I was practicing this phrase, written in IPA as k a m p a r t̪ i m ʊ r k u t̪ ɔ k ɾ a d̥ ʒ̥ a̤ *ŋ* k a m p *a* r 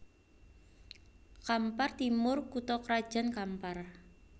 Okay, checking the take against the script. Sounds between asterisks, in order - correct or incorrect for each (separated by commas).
incorrect, correct